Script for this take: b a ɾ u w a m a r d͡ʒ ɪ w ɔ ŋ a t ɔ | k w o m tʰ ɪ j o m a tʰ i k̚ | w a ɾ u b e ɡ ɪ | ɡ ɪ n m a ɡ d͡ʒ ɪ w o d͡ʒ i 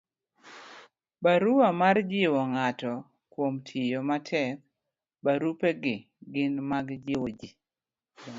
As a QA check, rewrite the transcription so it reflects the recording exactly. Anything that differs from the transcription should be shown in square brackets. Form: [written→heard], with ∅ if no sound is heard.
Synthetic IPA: b a ɾ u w a m a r d͡ʒ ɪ w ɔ ŋ a t ɔ | k w o m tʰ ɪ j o m a tʰ [i→ɛ] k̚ | [w→b] a ɾ u [b→p] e ɡ ɪ | ɡ ɪ n m a ɡ d͡ʒ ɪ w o d͡ʒ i